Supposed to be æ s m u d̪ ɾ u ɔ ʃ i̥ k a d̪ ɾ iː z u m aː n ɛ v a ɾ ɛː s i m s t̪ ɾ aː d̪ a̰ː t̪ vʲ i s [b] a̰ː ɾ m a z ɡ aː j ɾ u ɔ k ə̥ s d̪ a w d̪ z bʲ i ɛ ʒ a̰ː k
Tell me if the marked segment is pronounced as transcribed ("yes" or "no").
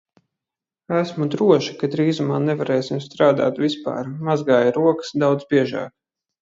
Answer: no